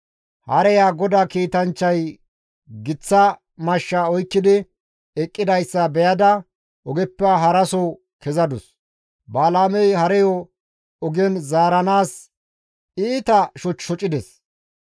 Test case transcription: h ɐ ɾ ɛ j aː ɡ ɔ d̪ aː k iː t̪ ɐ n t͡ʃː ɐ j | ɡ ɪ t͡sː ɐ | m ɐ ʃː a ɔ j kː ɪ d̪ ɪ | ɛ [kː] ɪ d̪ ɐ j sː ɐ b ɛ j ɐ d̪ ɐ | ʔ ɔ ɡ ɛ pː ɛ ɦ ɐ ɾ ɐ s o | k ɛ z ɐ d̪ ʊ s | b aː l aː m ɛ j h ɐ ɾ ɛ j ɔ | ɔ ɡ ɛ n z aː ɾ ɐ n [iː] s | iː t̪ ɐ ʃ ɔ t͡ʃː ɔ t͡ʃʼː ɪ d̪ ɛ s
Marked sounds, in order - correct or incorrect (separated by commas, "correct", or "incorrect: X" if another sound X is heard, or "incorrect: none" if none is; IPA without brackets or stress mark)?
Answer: incorrect: kʼː, incorrect: aː